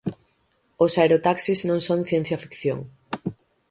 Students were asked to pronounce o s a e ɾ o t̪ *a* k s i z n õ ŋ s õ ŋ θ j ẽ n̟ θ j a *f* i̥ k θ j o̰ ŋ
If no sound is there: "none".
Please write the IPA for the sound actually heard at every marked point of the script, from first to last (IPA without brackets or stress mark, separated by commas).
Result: a, f